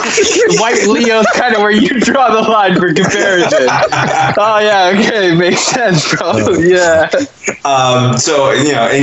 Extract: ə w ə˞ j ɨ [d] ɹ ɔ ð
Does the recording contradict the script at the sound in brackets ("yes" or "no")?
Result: no